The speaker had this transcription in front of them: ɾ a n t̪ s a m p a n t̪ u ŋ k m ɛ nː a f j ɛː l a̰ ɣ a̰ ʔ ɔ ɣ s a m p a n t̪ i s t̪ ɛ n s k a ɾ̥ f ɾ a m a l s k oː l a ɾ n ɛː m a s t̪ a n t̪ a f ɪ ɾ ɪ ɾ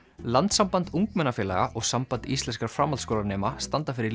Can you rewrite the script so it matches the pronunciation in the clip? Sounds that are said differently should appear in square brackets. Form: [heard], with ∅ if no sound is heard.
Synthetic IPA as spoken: [l] a n t̪ s a m p a n t̪ u ŋ k m ɛ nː a f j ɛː l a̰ ɣ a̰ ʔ ɔ ɣ s a m p a n t̪ i s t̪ ɛ n s k a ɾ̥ f ɾ a m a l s k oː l a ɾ n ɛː m a s t̪ a n t̪ a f ɪ ɾ ɪ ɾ